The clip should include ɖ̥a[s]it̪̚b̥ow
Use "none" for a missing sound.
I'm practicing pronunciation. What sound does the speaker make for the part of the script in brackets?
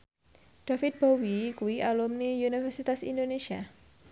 f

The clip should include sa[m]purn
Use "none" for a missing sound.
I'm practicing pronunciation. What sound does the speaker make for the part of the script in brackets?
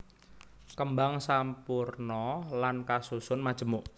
m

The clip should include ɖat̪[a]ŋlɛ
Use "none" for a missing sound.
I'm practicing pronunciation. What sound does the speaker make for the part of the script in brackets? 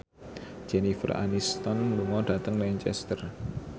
ə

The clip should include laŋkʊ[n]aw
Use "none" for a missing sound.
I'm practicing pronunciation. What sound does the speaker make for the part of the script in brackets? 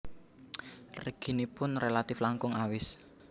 ŋ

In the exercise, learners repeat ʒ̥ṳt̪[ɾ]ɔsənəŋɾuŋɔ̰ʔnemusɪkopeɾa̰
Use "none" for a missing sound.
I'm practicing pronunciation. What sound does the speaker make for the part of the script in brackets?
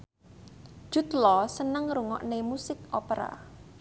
l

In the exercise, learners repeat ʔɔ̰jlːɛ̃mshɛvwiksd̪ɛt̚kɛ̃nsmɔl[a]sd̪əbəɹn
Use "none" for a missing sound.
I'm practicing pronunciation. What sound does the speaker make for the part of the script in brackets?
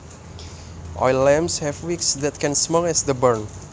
ɛ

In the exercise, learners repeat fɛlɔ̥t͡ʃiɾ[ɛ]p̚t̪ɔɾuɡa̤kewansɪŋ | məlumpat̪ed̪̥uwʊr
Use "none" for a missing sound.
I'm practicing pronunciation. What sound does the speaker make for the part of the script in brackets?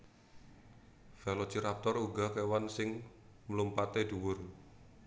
a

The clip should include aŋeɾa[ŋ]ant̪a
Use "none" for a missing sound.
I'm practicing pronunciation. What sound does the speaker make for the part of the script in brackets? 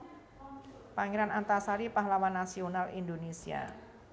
n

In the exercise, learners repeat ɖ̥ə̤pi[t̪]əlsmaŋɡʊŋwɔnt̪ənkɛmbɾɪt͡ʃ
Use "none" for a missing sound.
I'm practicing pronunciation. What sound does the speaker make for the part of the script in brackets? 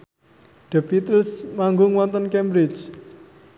t̪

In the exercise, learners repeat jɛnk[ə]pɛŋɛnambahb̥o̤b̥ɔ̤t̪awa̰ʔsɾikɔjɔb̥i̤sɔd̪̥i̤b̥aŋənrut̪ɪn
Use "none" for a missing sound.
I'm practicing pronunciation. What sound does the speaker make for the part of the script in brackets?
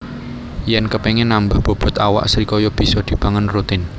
ə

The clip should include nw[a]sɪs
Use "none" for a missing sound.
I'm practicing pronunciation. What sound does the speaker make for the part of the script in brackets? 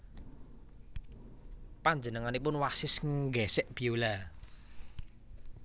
a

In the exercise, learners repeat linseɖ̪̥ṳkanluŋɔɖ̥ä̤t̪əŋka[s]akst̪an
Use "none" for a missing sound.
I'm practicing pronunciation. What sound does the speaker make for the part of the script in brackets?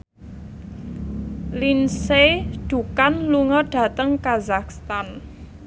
z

